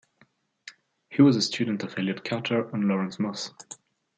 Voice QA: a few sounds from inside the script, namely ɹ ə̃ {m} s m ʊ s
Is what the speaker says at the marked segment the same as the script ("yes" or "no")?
no